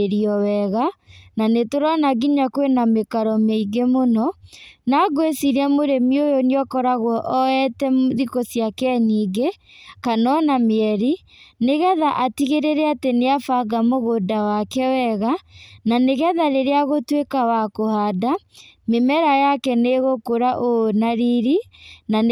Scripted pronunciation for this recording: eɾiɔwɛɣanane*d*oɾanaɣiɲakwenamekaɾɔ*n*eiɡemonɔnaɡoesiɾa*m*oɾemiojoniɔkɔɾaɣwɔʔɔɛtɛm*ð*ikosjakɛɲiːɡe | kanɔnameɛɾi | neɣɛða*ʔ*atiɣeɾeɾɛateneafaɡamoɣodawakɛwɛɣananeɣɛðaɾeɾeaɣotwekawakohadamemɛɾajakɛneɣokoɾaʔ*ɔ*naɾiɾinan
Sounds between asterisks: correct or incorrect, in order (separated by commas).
incorrect, incorrect, correct, correct, correct, incorrect